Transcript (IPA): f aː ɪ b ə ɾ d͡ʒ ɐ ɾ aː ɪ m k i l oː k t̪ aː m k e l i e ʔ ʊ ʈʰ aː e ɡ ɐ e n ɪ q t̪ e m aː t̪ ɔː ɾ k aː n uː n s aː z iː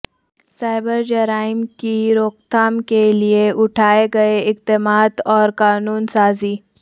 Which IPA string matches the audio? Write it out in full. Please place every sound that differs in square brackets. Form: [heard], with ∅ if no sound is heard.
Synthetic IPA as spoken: [s] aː ɪ b ə ɾ d͡ʒ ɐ ɾ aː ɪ m k i [ɾ] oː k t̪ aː m k e l i e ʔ ʊ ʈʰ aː e ɡ ɐ e [∅] ɪ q t̪ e m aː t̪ ɔː ɾ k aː n uː n s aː z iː